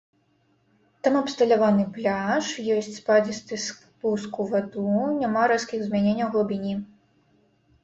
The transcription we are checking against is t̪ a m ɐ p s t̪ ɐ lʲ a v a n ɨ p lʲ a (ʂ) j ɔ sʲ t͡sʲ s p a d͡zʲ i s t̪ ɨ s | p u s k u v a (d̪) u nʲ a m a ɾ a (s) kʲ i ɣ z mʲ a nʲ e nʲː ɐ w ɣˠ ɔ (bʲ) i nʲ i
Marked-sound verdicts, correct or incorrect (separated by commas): correct, correct, correct, correct